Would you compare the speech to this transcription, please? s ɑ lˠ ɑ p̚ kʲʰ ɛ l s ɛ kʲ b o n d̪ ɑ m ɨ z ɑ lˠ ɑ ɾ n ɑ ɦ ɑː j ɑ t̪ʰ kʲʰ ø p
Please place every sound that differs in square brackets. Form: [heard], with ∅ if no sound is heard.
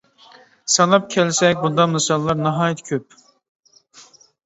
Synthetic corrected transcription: s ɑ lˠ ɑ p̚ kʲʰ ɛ l s ɛ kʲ b [u] n d̪ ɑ m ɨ [s] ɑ [lˠː] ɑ ɾ n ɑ ɦ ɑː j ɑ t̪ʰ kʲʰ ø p